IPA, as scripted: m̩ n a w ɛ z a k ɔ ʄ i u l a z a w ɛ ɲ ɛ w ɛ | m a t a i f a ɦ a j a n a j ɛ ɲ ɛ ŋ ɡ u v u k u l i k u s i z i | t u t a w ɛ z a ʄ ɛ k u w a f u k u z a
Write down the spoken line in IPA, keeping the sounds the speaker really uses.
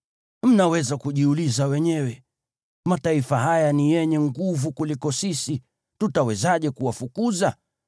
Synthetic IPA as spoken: m̩ n a w ɛ z a k u ʄ i u l i z a w ɛ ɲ ɛ w ɛ | m a t a i f a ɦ a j a n i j ɛ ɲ ɛ ŋ ɡ u v u k u l i k ɔ s i s i | t u t a w ɛ z a ʄ ɛ k u w a f u k u z a

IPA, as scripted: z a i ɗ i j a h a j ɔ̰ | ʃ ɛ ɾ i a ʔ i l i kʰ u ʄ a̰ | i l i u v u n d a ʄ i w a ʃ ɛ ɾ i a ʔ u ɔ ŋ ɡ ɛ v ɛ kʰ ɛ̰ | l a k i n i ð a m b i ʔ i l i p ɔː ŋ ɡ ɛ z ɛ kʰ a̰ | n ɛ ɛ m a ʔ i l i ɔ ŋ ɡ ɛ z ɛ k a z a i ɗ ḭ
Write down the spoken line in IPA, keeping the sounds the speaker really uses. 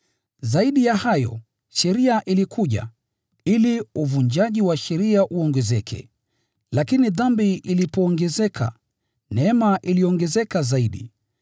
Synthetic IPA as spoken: z a i ɗ i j a h a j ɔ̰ | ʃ ɛ ɾ i a ʔ i l i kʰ u ʄ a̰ | i l i u v u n d͡ʒ a ʄ i w a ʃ ɛ ɾ i a ʔ u ɔ ŋ ɡ ɛ z ɛ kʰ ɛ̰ | l a k i n i ð a m b i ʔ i l i p ɔː ŋ ɡ ɛ z ɛ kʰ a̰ | n ɛ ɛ m a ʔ i l i ɔ ŋ ɡ ɛ z ɛ k a z a i ɗ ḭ

